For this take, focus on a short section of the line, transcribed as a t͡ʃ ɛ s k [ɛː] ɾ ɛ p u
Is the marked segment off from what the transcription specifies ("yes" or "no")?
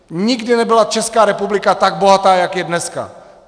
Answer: yes